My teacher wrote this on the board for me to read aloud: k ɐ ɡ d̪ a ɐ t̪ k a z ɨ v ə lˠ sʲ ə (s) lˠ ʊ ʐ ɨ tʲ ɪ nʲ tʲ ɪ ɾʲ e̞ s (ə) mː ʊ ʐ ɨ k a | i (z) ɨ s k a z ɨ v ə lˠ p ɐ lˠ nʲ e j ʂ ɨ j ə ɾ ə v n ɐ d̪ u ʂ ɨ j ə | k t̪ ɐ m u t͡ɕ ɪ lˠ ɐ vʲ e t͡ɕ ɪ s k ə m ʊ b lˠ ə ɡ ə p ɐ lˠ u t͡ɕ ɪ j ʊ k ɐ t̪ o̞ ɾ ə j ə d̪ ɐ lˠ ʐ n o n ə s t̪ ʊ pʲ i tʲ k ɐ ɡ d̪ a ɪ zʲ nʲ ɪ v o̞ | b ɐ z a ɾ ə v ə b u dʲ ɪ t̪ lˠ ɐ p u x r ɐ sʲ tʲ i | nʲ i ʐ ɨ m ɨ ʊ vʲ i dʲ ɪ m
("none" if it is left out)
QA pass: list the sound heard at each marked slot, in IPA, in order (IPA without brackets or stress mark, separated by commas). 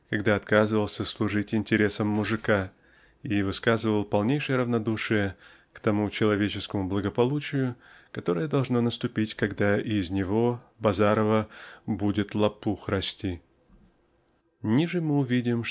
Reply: s, ə, v